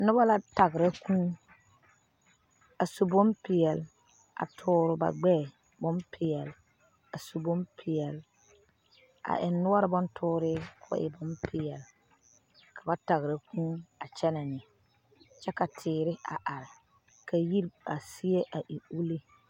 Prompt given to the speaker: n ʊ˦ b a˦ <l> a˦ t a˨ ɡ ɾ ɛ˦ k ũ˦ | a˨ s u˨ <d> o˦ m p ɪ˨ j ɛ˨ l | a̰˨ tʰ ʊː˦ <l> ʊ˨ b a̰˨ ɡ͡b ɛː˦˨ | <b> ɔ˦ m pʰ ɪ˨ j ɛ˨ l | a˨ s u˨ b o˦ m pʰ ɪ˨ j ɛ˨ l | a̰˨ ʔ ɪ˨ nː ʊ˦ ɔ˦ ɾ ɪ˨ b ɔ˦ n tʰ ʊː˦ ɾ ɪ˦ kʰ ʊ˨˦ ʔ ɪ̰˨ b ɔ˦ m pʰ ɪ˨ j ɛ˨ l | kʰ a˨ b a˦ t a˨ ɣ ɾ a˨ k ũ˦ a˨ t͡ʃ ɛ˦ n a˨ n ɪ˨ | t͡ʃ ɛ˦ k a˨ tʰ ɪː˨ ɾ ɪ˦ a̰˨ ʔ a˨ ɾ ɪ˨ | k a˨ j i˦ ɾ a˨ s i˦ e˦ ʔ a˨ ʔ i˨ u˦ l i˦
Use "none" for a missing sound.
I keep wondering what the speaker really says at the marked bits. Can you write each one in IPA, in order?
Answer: l, b, ɾ, b

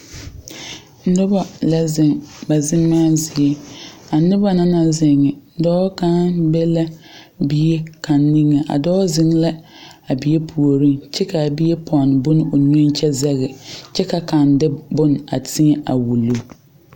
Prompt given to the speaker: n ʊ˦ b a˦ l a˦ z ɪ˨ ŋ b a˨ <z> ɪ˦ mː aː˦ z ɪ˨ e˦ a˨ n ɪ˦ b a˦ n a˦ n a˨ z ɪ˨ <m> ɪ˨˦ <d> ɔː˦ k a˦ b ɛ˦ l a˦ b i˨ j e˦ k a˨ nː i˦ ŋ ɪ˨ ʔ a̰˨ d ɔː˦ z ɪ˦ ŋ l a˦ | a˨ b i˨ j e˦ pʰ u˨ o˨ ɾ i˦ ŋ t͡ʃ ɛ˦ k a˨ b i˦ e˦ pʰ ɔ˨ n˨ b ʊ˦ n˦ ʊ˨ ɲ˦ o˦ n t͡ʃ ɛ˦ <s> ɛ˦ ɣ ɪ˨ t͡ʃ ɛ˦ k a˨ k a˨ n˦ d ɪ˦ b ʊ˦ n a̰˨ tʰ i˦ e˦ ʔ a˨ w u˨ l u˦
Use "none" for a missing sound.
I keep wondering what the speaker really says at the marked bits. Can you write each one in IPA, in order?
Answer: z, ŋ, d, z

